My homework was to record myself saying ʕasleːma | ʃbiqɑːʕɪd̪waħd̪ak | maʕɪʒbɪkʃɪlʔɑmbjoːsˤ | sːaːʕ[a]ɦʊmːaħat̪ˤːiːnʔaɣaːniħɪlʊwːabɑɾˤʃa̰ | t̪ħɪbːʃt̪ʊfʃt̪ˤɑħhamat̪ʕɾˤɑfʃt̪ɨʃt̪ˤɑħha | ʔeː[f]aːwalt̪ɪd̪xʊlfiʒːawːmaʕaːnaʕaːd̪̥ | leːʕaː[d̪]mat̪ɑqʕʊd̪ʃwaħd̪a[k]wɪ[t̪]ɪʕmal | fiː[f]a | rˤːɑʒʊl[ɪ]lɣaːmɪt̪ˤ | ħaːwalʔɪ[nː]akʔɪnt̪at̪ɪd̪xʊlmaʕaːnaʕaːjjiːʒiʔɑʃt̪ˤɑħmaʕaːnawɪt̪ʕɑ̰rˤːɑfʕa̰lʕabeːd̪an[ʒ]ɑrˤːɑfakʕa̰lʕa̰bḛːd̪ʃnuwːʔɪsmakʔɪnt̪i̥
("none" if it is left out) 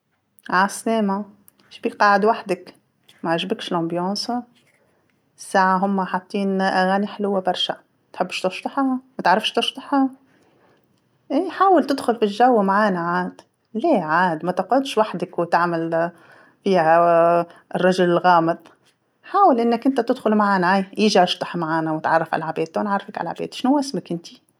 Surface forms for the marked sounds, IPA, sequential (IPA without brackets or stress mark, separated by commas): a, ħ, d̪, k, t̪, h, ɪ, nː, ʕ